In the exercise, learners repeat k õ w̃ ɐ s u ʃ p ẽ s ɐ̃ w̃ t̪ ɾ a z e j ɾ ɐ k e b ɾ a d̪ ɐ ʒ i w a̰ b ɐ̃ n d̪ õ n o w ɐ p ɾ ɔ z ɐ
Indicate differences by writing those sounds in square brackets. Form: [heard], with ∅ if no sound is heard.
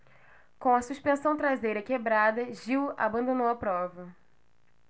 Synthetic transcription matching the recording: k õ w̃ ɐ s u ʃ p ẽ s ɐ̃ w̃ t̪ ɾ a z e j ɾ ɐ k e b ɾ a d̪ ɐ ʒ i w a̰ b ɐ̃ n d̪ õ n o w ɐ p ɾ ɔ [v] ɐ